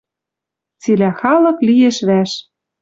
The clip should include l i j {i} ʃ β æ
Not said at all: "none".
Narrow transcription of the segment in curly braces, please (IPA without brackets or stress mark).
e